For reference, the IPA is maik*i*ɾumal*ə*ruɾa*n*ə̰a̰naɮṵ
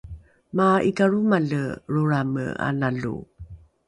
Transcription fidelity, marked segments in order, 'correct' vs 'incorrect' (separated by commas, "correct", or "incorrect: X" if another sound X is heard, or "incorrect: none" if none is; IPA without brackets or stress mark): incorrect: a, correct, incorrect: m